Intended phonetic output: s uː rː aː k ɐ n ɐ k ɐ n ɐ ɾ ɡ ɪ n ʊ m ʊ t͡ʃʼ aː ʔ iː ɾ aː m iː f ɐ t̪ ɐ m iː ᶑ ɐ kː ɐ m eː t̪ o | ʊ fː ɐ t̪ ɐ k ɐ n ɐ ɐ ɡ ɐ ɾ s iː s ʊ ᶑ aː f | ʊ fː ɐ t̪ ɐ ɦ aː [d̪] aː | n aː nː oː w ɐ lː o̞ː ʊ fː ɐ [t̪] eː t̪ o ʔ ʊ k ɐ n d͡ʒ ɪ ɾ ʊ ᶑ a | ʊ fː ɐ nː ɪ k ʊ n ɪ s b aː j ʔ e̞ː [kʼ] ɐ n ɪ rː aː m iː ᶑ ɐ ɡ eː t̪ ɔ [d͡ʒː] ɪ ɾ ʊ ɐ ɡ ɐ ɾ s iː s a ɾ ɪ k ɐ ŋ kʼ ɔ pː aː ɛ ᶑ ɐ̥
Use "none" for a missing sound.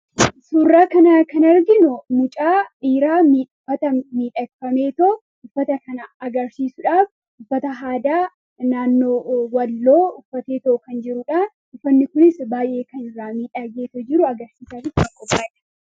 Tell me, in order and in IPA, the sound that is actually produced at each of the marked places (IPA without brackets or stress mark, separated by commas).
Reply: d̪, t̪, k, d͡ʒ